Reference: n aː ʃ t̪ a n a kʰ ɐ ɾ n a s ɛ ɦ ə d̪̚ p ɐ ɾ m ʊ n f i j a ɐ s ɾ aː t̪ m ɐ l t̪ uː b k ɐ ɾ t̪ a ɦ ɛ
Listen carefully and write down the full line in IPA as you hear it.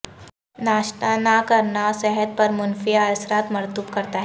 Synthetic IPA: n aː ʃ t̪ a n a k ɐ ɾ n a s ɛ ɦ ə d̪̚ p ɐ ɾ m ʊ n f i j a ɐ s ɾ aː t̪ m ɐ ɾ t̪ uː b k ɐ ɾ t̪ a ɦ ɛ